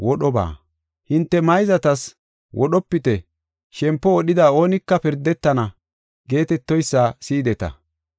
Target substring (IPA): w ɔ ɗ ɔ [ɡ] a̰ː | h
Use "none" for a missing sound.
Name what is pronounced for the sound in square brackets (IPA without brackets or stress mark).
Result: b